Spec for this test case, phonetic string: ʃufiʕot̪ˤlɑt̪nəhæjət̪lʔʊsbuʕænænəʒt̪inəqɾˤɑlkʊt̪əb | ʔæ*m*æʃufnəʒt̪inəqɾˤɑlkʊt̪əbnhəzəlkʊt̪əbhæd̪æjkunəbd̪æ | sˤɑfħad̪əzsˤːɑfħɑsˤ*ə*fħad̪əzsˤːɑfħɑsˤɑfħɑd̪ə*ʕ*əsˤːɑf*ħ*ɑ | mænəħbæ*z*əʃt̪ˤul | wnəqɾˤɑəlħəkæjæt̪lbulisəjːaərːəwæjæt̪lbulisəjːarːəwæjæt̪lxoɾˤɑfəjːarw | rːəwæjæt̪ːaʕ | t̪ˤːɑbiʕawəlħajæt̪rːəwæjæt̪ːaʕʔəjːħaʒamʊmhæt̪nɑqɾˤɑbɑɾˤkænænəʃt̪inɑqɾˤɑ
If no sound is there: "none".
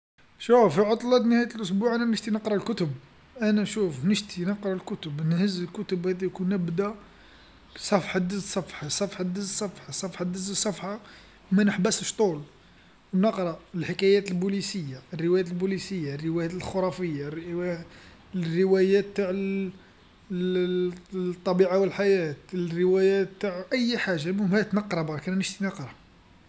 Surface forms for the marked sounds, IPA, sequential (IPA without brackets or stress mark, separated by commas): n, ɑ, z, ħ, s